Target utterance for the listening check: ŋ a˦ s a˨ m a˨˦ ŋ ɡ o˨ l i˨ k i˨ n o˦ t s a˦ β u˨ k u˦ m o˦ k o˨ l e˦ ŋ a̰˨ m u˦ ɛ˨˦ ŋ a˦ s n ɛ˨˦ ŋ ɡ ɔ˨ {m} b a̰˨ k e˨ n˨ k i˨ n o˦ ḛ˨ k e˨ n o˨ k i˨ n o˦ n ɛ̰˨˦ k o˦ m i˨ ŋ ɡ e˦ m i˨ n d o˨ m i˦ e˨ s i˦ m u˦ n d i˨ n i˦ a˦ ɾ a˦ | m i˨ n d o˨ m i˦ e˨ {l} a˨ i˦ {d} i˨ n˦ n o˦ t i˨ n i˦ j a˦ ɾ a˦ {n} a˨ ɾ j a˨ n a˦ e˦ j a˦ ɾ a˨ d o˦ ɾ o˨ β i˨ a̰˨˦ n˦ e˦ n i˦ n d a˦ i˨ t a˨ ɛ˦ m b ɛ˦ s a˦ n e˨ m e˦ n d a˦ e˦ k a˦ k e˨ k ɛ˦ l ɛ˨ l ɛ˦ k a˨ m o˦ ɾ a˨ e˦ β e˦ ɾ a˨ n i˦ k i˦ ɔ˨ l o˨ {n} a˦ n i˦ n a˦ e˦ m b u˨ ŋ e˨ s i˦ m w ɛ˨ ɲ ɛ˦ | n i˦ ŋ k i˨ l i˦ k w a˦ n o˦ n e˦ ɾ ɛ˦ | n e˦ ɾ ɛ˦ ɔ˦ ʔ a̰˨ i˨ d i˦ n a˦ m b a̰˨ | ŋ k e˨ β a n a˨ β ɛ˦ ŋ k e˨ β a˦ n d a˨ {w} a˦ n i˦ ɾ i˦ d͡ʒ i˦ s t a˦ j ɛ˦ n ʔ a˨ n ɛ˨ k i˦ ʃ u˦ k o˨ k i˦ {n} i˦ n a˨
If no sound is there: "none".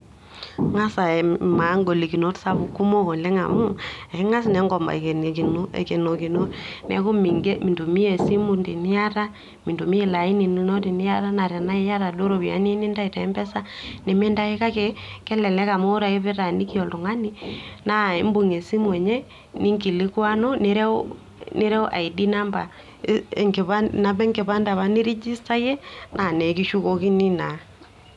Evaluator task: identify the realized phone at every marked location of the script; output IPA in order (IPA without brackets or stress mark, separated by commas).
m, l, n, n, ŋ, β, n